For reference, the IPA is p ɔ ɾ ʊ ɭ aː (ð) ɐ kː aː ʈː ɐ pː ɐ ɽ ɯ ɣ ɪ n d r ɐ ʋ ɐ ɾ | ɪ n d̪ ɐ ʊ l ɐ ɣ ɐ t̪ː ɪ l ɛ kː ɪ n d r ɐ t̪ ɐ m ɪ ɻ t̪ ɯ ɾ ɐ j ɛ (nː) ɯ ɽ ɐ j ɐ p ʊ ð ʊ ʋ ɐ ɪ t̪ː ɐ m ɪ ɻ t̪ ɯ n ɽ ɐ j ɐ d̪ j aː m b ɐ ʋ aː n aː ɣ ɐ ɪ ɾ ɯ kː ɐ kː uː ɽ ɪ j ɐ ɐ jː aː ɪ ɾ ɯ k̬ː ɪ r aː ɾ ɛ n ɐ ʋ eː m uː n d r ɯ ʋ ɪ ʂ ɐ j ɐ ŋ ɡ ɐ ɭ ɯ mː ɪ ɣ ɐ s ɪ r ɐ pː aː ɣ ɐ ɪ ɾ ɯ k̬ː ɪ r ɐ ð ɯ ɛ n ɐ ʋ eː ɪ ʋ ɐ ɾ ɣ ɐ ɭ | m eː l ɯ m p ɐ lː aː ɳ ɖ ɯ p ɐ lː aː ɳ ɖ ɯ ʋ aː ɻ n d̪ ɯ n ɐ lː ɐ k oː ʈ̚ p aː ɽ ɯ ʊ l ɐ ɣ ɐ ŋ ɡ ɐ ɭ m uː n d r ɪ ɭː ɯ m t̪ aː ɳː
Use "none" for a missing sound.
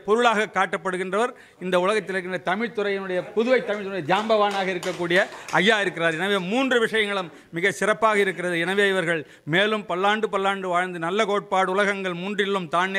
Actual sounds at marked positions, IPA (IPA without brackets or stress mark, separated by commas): ɣ, n